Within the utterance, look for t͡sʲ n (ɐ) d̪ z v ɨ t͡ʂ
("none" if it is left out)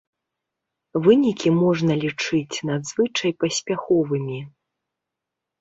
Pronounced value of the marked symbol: a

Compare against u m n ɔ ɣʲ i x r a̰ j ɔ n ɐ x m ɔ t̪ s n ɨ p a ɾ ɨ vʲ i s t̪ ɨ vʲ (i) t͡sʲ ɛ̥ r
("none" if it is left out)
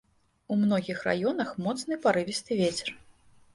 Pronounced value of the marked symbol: e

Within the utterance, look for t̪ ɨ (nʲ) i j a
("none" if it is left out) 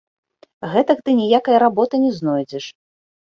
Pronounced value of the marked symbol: nʲ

